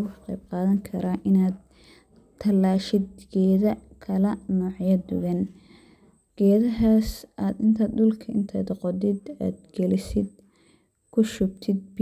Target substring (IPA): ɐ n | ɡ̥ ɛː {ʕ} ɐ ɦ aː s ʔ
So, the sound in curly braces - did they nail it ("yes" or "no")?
no